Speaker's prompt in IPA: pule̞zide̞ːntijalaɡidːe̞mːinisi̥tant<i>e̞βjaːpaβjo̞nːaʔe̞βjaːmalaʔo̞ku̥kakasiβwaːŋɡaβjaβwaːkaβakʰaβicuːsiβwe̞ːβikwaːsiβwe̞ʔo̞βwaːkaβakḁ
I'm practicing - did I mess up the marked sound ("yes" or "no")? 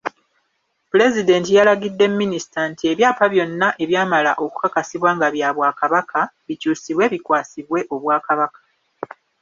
no